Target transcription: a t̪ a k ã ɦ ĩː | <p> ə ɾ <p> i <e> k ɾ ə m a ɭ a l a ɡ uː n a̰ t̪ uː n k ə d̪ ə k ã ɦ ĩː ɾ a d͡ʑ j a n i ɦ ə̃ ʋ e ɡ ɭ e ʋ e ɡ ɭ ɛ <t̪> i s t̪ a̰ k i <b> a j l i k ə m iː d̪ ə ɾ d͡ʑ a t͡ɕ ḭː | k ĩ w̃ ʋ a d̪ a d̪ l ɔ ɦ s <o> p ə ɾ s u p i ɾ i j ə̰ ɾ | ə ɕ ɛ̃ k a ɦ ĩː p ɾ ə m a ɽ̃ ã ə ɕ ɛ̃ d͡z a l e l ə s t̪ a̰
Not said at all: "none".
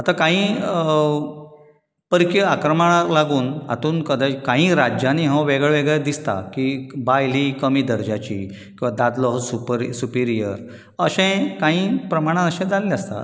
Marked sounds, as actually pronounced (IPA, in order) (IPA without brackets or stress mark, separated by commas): p, k, a, d̪, b, u